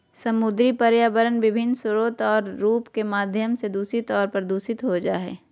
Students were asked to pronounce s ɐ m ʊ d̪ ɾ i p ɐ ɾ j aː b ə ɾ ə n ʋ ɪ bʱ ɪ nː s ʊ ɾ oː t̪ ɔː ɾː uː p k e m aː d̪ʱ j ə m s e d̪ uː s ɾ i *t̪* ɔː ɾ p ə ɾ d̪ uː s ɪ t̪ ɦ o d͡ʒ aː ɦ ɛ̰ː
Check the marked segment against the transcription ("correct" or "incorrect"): correct